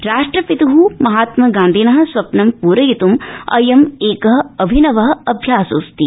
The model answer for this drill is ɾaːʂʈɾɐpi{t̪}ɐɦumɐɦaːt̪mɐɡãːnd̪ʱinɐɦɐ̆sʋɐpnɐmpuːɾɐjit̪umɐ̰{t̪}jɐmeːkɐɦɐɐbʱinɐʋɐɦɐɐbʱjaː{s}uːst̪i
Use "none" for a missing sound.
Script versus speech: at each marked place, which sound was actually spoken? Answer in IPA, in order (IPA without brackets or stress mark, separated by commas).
t̪, none, s